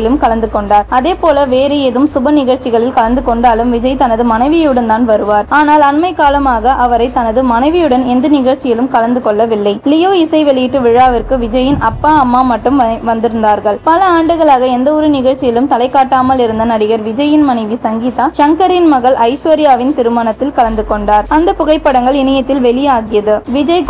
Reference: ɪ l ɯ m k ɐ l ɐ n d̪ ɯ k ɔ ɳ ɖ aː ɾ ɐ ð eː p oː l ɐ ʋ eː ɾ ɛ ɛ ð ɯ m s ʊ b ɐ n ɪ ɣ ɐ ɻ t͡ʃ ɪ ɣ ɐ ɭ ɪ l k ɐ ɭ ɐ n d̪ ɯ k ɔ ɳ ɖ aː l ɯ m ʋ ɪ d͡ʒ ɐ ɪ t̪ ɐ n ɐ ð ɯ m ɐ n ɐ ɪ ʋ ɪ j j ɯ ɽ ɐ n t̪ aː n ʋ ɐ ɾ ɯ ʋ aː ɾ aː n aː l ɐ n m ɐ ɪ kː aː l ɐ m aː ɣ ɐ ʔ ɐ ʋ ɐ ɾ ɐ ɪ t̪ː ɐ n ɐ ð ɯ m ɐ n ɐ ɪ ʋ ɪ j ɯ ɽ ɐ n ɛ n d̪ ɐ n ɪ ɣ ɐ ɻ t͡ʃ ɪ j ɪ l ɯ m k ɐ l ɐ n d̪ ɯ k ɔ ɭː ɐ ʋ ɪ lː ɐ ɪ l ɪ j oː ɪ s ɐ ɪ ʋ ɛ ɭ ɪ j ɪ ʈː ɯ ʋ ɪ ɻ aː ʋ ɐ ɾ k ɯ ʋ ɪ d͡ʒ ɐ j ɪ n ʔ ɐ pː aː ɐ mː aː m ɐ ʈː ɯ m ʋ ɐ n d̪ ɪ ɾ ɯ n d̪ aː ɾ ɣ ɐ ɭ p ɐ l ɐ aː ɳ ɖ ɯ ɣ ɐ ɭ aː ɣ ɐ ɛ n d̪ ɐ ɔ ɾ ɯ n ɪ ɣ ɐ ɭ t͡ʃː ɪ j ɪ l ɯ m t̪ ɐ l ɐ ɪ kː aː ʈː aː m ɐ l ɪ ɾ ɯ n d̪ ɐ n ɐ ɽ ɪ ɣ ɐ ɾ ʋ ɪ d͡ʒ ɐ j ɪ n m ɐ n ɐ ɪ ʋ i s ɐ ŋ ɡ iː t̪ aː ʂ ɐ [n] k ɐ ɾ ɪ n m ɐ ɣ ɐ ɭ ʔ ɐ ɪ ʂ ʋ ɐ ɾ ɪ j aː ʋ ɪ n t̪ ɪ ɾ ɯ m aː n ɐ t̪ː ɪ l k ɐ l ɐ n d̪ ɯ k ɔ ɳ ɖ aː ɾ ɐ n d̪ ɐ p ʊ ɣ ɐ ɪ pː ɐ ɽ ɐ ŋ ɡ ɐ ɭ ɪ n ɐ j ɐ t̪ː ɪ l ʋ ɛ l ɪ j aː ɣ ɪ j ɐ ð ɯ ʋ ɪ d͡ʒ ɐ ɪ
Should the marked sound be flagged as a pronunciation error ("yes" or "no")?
yes